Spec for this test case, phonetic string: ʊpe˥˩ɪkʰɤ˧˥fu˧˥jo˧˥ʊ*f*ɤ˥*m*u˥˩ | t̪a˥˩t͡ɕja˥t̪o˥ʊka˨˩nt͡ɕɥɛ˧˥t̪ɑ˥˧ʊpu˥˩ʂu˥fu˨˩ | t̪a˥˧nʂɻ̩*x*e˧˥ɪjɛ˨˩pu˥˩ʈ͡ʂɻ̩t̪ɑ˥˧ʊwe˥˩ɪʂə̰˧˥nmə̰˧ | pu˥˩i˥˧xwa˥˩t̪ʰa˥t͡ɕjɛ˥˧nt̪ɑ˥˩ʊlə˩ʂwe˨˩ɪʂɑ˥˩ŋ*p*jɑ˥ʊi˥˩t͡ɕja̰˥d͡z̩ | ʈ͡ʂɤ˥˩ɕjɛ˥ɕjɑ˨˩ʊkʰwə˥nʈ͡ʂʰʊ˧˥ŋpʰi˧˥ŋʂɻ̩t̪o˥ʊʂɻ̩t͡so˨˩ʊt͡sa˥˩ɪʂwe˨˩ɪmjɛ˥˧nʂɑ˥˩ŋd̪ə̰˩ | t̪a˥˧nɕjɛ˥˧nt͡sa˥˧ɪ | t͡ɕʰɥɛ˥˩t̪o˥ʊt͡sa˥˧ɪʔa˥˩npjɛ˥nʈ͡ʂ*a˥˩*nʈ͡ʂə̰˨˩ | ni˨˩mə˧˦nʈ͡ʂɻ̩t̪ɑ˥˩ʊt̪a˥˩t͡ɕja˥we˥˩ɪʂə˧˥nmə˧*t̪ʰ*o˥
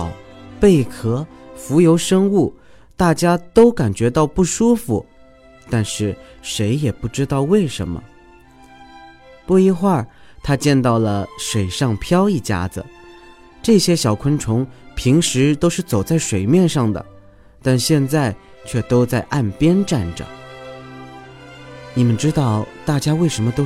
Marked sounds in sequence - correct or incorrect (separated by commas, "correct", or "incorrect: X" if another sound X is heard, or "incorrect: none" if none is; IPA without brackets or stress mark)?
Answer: incorrect: ʂ, incorrect: ŋ, incorrect: ʂ, incorrect: pʰ, correct, incorrect: t̪